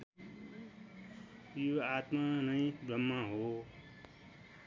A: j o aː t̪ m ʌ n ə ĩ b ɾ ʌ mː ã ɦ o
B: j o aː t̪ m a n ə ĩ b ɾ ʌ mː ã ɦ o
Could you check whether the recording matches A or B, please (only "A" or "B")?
B